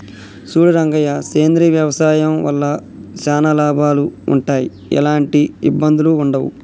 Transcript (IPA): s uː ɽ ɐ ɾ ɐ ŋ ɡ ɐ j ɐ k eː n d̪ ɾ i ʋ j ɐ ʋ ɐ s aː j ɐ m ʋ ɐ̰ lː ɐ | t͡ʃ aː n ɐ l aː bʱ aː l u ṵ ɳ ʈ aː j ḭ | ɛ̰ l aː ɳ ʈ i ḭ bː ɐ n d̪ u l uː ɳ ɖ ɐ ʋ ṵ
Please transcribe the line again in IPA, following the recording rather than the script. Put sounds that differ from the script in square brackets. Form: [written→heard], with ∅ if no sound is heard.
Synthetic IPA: s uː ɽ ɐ ɾ ɐ ŋ ɡ ɐ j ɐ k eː n d̪ ɾ i ʋ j ɐ ʋ ɐ s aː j ɐ m ʋ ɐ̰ lː ɐ | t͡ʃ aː n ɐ l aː bʱ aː l u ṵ ɳ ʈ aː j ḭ | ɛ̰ l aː ɳ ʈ i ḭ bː ɐ n d̪ u l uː ɳ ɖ ɐ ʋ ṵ

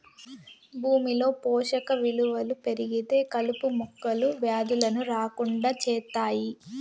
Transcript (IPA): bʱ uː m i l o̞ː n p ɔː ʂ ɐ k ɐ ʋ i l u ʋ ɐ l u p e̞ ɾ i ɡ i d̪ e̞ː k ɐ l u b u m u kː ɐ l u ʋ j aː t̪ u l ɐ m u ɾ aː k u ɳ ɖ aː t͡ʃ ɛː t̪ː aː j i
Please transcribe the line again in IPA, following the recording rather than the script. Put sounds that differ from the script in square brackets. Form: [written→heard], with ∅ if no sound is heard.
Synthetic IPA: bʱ uː m i l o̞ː [n→∅] p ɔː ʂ ɐ k ɐ ʋ i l u ʋ ɐ l u p e̞ ɾ i ɡ i [d̪→t̪] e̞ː k ɐ l u [b→p] u m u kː ɐ l u ʋ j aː [t̪→d̪] u l ɐ [m→n] u ɾ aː k u ɳ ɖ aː t͡ʃ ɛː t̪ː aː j i

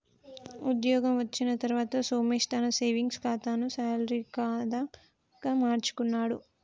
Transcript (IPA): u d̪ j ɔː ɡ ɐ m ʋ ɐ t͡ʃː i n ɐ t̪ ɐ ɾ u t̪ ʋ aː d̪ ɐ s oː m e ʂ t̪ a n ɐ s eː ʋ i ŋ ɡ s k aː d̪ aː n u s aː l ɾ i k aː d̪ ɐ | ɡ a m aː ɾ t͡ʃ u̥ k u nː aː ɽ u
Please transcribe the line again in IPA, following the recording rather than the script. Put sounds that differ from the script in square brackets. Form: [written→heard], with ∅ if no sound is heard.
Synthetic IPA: u d̪ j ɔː ɡ ɐ m ʋ ɐ t͡ʃː i n ɐ t̪ ɐ ɾ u [t̪→∅] ʋ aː [d̪→t̪] ɐ s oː m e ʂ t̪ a n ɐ s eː ʋ i ŋ ɡ s k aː [d̪→t̪] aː n u s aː l ɾ i k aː d̪ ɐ | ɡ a m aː ɾ t͡ʃ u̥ k u nː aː ɽ u

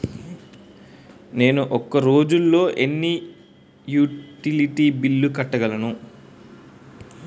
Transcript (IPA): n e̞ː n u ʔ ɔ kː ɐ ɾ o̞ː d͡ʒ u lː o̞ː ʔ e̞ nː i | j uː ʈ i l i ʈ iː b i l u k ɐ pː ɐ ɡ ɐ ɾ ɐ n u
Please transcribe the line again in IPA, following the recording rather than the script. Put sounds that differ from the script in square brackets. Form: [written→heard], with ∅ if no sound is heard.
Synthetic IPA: n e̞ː n u ʔ ɔ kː ɐ ɾ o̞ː d͡ʒ u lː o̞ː ʔ e̞ nː i | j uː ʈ i l i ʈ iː b i [l→lː] u k ɐ [pː→ʈː] ɐ ɡ ɐ [ɾ→l] ɐ n u

